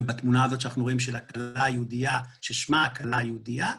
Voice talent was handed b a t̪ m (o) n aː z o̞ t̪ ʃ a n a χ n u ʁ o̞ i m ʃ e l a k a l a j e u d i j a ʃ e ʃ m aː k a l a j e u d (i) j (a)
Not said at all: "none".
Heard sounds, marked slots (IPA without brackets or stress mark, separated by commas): u, i, a